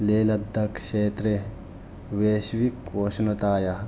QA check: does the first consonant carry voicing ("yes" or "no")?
yes